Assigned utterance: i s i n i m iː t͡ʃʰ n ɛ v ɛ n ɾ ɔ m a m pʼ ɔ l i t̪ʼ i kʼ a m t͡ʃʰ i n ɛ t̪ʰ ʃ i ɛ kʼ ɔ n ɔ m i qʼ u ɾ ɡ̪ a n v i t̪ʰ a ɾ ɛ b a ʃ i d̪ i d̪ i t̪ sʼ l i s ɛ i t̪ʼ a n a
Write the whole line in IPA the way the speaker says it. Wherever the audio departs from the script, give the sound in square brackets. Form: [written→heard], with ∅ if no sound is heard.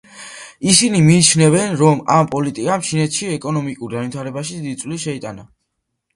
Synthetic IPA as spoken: i s i n i m iː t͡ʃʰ n ɛ v ɛ n ɾ ɔ m a m pʼ ɔ l i t̪ʼ i kʼ a m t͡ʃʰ i n ɛ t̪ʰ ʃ i ɛ kʼ ɔ n ɔ m i [qʼ→kʼ] u ɾ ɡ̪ a n v i t̪ʰ a ɾ ɛ b a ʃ i d̪ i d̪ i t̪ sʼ l i [s→ʃ] ɛ i t̪ʼ a n a